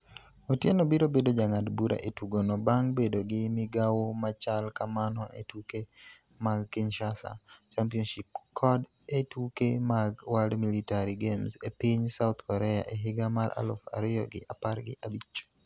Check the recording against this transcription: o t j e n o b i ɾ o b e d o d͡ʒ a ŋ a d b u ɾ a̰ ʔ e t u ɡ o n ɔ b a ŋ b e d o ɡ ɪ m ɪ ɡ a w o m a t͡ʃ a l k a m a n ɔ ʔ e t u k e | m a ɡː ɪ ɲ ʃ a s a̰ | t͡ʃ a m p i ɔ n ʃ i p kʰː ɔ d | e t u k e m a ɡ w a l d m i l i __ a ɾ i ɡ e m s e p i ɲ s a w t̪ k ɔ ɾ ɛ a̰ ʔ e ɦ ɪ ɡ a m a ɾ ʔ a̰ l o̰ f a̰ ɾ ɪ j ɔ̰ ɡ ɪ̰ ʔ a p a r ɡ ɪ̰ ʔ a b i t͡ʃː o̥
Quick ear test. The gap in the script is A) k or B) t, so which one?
B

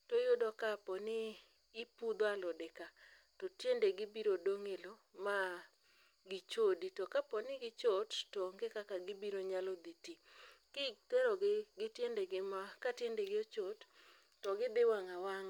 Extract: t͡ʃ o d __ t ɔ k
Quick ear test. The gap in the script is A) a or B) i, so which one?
B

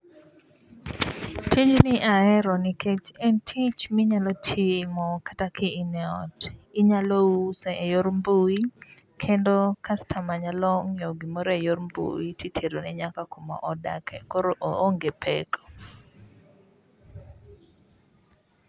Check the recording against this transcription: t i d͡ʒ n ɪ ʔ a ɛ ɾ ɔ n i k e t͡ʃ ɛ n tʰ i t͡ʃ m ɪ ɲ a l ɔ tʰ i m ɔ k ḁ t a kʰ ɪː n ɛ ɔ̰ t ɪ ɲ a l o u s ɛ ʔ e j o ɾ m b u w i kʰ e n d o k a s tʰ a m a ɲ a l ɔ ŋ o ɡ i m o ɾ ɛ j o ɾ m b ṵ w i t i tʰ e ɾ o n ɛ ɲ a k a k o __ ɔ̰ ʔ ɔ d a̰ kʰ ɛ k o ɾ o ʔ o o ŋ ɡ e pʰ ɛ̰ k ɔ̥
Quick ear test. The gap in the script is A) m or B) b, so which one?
A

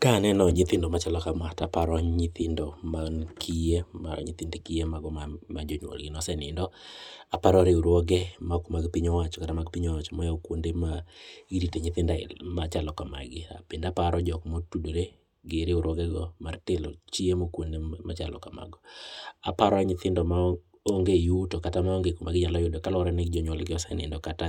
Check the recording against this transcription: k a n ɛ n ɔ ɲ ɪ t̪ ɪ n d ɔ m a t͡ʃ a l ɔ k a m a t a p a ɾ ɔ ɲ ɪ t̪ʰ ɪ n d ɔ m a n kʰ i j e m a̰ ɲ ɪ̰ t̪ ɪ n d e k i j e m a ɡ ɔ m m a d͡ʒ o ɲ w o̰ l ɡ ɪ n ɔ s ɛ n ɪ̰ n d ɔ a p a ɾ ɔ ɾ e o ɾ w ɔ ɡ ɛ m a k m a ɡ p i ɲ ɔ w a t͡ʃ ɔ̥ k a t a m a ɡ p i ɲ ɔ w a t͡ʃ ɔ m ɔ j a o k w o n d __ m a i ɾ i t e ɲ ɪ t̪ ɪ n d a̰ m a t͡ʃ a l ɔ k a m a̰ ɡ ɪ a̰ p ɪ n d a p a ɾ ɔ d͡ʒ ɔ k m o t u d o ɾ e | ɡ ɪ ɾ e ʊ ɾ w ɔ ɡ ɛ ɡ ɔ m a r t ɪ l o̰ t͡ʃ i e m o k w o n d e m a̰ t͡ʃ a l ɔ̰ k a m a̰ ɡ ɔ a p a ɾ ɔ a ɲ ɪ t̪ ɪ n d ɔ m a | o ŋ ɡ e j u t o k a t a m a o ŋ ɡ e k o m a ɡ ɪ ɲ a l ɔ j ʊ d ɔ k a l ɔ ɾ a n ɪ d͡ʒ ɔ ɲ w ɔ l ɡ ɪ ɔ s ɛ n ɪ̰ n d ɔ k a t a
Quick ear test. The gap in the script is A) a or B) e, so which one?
B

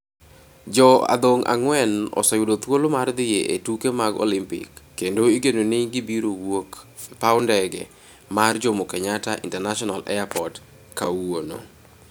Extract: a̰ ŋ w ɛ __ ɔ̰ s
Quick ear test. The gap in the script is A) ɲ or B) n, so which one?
B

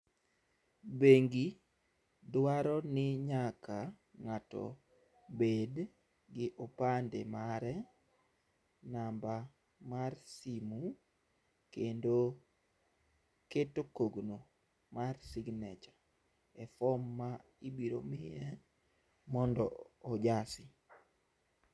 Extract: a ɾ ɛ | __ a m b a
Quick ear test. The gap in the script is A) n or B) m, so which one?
A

